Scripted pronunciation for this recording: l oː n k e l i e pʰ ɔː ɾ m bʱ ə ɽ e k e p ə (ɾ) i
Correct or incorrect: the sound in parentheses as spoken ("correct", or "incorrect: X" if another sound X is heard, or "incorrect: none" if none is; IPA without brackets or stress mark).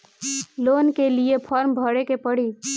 incorrect: ɽ